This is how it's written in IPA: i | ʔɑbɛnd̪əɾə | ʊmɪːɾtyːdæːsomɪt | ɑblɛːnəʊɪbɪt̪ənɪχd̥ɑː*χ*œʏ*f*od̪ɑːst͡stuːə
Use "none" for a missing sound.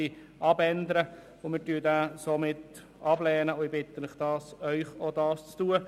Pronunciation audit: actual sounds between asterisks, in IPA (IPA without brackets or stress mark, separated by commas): s, χ